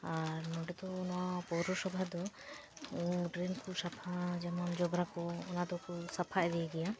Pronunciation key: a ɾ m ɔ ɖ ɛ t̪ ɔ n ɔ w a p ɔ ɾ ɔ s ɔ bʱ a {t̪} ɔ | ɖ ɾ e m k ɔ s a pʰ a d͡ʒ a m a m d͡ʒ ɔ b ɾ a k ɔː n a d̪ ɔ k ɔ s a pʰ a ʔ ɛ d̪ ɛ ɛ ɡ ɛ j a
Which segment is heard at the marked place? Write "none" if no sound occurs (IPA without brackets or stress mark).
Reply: d̪